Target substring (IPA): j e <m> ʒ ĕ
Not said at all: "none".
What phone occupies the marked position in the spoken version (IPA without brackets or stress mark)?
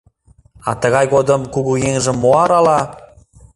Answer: ŋ